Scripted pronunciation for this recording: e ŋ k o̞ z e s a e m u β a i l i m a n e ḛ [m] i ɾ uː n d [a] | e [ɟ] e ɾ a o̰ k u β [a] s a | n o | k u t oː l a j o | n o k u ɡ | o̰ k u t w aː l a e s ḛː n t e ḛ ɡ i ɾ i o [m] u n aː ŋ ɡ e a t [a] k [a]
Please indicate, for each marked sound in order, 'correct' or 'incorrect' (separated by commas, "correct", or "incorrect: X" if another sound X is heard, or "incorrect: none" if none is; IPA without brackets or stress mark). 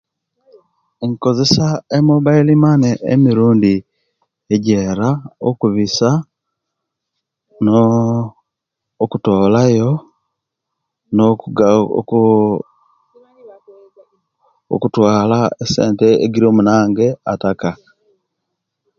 correct, incorrect: i, correct, incorrect: i, correct, correct, correct